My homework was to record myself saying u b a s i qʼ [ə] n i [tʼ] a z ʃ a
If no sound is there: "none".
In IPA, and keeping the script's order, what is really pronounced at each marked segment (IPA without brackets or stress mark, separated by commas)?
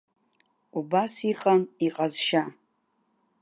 a, qʼ